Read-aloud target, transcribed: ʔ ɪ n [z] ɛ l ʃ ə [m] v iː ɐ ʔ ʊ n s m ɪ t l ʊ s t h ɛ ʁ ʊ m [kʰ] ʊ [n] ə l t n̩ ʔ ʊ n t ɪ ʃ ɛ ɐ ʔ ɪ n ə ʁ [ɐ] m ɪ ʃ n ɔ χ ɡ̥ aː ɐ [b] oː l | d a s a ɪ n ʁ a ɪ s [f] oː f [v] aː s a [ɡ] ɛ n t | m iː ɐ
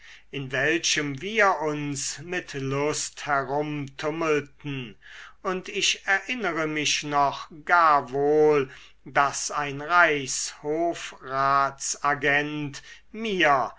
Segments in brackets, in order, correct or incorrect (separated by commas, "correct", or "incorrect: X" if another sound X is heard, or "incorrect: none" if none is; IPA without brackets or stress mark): incorrect: v, correct, incorrect: tʰ, incorrect: m, incorrect: ə, incorrect: v, incorrect: h, incorrect: ʁ, correct